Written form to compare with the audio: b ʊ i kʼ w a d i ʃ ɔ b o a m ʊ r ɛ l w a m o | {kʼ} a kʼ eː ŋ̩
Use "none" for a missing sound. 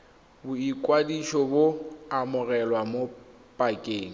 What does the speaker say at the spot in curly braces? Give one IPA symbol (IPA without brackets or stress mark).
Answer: pʼ